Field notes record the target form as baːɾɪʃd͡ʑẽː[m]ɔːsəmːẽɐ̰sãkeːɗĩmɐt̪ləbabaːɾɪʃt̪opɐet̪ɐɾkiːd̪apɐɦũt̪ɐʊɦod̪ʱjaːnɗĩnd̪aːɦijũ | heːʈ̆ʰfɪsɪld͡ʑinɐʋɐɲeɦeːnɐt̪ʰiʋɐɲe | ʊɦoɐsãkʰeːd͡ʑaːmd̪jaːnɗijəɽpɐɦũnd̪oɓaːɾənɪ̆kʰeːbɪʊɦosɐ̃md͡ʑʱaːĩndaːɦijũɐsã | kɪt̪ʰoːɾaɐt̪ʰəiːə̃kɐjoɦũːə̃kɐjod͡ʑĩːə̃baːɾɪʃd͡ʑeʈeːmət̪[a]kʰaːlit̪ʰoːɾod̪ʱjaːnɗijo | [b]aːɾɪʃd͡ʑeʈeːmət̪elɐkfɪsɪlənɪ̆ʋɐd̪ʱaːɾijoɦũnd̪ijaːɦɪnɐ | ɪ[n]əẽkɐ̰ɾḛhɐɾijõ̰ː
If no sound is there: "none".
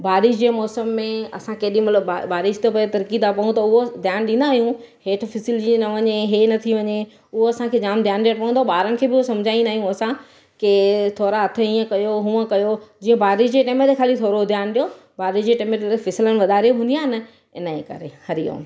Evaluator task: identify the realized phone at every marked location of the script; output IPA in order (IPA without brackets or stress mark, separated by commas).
m, e, b, n